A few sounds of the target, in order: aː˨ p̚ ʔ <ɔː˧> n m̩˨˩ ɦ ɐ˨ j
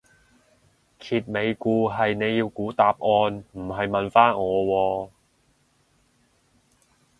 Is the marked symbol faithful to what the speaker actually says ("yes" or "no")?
yes